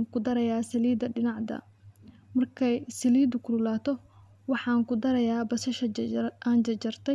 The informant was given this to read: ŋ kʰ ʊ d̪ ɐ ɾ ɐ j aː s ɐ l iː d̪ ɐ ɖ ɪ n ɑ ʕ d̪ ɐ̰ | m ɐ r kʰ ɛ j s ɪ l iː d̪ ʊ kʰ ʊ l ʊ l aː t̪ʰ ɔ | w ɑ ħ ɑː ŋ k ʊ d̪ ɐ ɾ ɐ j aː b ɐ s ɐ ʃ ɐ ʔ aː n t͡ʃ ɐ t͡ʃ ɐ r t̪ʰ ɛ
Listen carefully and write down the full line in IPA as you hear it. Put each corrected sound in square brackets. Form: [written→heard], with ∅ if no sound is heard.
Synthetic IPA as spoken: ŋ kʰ ʊ d̪ ɐ ɾ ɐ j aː s ɐ l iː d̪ ɐ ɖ ɪ n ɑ ʕ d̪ ɐ̰ | m ɐ r kʰ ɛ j s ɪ l iː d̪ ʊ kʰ ʊ l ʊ l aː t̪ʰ ɔ | w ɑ ħ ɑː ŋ k ʊ d̪ ɐ ɾ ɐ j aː b ɐ s ɐ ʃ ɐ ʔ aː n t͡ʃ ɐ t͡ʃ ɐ r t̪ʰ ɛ